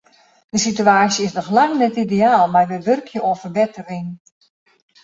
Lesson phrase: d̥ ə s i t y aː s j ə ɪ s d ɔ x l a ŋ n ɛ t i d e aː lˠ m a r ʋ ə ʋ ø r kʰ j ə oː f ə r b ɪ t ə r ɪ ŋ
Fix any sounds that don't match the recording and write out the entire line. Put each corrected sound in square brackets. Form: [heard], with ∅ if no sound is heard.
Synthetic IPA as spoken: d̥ ə s i t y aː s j ə ɪ s [n] ɔ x l a ŋ n ɛ t i d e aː lˠ m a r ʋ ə ʋ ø r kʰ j ə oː f ə r b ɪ t ə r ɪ ŋ

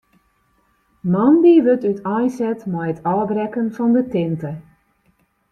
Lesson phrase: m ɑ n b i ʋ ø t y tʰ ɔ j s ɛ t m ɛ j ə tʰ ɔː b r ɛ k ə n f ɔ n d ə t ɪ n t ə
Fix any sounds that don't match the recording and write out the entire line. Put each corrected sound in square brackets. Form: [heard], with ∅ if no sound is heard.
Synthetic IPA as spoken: m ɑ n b i ʋ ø t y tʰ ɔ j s ɛ t m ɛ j ə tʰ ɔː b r ɛ k ə n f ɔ n d ə t ɪ n t ə

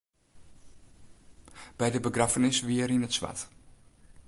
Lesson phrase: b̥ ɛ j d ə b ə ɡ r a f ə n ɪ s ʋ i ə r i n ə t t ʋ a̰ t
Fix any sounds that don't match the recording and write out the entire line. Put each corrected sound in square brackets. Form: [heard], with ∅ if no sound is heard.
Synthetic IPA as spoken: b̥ ɛ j d ə b ə ɡ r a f ə n ɪ s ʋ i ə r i n ə t [s] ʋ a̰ t

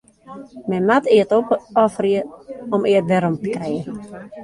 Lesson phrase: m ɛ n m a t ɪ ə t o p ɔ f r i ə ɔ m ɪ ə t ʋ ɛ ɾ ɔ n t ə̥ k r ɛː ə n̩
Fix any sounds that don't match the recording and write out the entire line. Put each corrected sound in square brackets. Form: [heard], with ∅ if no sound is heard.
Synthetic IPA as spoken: m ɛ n m a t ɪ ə t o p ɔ f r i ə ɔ m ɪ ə t ʋ ɛ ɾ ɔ [m] t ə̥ k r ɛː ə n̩

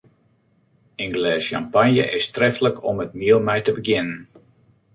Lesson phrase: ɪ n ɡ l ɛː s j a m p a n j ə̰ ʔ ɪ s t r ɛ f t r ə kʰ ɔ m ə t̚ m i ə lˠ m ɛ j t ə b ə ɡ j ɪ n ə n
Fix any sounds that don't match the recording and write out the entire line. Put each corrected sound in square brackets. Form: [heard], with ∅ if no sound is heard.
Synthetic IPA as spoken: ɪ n ɡ l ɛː s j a m p a n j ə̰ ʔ ɪ s t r ɛ f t [l] ə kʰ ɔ m ə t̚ m i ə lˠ m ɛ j t ə b ə ɡ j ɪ n ə n

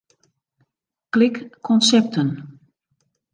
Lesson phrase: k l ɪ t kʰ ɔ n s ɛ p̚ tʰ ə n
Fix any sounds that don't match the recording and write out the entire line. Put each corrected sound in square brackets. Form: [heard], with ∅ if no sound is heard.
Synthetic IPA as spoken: k l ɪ [k] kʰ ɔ n s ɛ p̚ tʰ ə n

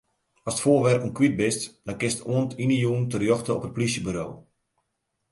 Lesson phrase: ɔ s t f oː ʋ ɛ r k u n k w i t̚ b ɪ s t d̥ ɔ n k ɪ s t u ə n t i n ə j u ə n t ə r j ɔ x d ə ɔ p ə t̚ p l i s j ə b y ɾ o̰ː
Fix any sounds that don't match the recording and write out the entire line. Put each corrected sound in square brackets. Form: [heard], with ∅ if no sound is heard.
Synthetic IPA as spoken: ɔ s t f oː ʋ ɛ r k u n k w i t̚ b ɪ s t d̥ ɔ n k ɪ s t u ə n t i n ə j u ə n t ə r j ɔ x [t] ə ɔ p ə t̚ p l i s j ə b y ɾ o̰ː

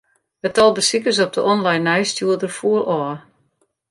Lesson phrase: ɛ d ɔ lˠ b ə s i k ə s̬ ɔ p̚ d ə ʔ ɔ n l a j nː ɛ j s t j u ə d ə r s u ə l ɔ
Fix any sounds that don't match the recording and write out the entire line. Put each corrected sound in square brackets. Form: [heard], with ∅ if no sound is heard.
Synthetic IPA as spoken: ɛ [t] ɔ lˠ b ə s i k ə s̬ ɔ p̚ d ə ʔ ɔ n l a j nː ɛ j s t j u ə d ə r [f] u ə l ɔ

